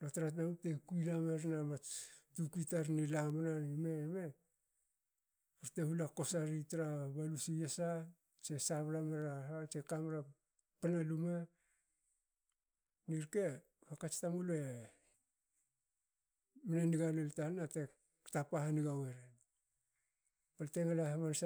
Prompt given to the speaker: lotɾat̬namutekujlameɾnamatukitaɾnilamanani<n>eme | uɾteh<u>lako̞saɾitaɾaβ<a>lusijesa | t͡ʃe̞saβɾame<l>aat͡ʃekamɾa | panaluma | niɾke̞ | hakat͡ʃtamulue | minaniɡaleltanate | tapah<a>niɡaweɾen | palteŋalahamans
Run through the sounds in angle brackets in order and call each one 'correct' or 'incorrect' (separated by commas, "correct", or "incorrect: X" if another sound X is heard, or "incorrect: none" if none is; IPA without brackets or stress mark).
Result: incorrect: m, correct, correct, incorrect: ɾ, correct